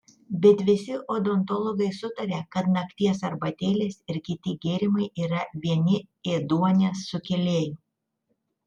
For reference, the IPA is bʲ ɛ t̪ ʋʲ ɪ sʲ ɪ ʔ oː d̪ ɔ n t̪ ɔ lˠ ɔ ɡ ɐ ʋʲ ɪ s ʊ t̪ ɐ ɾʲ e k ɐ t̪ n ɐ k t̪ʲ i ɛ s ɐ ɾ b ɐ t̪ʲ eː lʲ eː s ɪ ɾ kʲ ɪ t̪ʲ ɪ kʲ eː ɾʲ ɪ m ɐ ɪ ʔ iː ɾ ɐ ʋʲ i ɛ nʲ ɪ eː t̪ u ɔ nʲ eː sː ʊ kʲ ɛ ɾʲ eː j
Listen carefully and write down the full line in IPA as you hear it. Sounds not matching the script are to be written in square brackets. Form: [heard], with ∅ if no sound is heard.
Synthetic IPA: bʲ ɛ t̪ ʋʲ ɪ sʲ ɪ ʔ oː d̪ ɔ n t̪ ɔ lˠ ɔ ɡ ɐ [∅] ɪ s ʊ t̪ ɐ ɾʲ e k ɐ t̪ n ɐ k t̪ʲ i ɛ s ɐ ɾ b ɐ t̪ʲ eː lʲ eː s ɪ ɾ kʲ ɪ t̪ʲ ɪ [ɡʲ] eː ɾʲ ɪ m ɐ ɪ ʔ iː ɾ ɐ ʋʲ i ɛ nʲ ɪ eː [d̪] u ɔ nʲ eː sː ʊ kʲ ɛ [lʲ] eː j

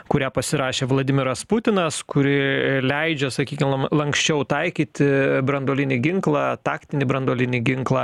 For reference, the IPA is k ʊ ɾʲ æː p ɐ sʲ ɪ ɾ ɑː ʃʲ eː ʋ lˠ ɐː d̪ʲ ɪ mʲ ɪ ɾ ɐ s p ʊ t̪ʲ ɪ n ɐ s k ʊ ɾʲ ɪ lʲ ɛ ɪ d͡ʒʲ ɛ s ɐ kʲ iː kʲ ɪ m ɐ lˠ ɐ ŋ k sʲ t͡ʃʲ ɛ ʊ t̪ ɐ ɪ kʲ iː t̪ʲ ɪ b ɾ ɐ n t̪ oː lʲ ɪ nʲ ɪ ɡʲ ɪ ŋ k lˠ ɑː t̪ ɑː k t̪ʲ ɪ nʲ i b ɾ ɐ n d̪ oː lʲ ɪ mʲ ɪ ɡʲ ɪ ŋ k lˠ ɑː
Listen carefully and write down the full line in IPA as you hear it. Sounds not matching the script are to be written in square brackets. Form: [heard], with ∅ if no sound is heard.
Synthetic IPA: k ʊ ɾʲ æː p ɐ sʲ ɪ ɾ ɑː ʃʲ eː ʋ lˠ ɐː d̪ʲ ɪ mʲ ɪ ɾ ɐ s p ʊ t̪ʲ ɪ n ɐ s k ʊ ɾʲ ɪ lʲ ɛ ɪ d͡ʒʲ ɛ s ɐ kʲ iː kʲ ɪ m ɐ lˠ ɐ ŋ k sʲ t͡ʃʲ ɛ ʊ t̪ ɐ ɪ kʲ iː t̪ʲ ɪ b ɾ ɐ n [d̪] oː lʲ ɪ nʲ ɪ ɡʲ ɪ ŋ k lˠ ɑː t̪ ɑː k t̪ʲ ɪ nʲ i b ɾ ɐ n d̪ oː lʲ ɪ [nʲ] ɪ ɡʲ ɪ ŋ k lˠ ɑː

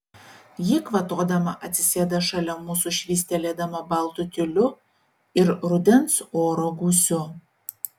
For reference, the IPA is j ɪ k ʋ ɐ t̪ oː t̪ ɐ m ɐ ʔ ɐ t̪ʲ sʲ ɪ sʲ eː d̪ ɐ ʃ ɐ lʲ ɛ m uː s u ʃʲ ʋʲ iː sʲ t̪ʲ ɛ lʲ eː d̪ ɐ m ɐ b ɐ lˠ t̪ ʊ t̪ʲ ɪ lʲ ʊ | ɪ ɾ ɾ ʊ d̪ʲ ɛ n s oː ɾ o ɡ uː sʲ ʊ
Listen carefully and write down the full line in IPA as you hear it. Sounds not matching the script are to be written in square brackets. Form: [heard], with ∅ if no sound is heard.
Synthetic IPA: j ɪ k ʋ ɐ t̪ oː [d̪] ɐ m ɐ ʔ ɐ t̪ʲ sʲ ɪ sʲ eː d̪ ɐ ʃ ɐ lʲ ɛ m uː s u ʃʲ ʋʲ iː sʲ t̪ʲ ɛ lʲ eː d̪ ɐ m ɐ b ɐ lˠ t̪ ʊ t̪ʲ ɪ lʲ ʊ | ɪ ɾ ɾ ʊ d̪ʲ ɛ n s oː ɾ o ɡ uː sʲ ʊ

